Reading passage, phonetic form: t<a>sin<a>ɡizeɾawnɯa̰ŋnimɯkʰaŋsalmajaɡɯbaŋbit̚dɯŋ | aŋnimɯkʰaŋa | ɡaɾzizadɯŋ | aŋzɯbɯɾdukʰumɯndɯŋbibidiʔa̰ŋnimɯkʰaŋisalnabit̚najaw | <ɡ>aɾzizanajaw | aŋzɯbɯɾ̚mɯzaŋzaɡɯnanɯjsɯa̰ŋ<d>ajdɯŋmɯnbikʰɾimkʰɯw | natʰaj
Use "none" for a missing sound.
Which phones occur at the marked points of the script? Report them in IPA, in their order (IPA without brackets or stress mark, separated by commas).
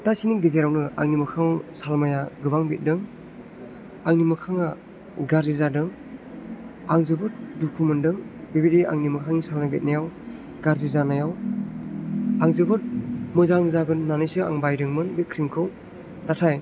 a, i, ɡ, b